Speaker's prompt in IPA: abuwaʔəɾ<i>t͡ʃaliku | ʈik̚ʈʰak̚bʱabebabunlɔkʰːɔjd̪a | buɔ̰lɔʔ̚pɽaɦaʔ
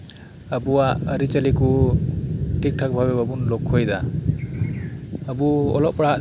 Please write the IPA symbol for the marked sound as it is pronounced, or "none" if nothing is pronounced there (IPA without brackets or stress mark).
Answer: i